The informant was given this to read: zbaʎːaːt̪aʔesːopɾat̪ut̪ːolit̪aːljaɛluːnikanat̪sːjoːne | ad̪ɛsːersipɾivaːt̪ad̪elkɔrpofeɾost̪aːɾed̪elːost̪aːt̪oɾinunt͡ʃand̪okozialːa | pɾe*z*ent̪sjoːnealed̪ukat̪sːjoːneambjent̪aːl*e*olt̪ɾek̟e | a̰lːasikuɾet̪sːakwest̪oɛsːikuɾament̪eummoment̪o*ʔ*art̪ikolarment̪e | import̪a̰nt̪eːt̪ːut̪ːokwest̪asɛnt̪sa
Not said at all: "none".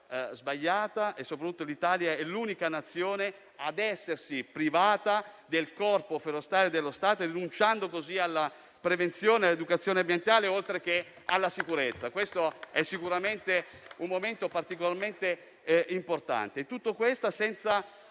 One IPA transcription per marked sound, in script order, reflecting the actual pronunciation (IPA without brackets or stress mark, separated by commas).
v, e, p